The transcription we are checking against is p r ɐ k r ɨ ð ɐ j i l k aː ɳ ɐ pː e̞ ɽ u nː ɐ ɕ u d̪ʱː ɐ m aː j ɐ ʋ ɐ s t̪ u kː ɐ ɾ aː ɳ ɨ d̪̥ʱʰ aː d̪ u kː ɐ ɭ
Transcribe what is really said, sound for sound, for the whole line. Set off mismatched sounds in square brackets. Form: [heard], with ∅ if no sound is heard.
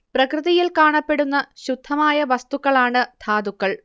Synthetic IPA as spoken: p r ɐ k r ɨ ð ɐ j i l k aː ɳ ɐ pː e̞ ɽ u nː ɐ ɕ u d̪ʱː ɐ m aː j ɐ ʋ ɐ s t̪ u kː ɐ [ɭ] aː ɳ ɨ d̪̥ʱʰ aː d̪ u kː ɐ ɭ